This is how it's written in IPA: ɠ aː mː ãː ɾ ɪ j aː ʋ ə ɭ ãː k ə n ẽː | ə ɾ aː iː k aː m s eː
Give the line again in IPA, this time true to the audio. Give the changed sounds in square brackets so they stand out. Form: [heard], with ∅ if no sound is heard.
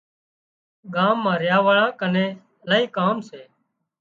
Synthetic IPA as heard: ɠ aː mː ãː ɾ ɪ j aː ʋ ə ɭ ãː k ə n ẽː | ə [l] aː iː k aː m s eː